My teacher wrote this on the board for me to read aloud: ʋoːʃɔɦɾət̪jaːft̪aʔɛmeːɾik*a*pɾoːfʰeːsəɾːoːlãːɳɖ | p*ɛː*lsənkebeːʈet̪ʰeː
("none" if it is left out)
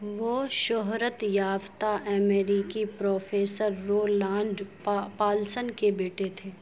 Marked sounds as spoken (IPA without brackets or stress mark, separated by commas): i, aː